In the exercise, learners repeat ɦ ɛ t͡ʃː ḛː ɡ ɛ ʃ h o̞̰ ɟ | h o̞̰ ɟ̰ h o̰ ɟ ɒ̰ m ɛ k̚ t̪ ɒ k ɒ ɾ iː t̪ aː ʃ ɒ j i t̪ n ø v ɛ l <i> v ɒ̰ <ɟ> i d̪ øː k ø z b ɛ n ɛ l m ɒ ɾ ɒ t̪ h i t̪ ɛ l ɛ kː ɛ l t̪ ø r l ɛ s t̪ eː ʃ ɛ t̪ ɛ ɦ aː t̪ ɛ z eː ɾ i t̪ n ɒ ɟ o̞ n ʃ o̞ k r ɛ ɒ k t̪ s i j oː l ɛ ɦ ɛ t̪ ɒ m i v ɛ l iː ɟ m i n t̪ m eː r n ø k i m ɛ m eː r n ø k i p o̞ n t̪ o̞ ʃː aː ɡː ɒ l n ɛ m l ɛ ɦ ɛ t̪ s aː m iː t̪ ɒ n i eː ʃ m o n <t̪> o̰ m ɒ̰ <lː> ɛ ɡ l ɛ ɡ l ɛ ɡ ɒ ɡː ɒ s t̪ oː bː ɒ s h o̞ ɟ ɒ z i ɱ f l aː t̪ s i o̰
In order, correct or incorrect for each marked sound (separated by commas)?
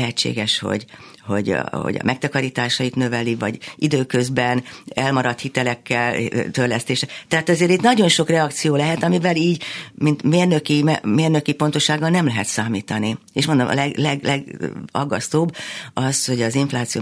correct, correct, incorrect, incorrect